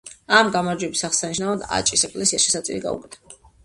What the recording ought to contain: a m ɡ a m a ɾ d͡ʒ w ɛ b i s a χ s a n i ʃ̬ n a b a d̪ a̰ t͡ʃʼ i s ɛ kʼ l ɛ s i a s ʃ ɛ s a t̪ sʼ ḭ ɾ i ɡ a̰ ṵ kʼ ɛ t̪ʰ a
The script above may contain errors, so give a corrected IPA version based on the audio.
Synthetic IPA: a m ɡ a m a ɾ d͡ʒ w ɛ b i s a χ s a n i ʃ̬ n a v a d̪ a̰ t͡ʃʼ i s ɛ kʼ l ɛ s i a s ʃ ɛ s a t̪ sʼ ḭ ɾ i ɡ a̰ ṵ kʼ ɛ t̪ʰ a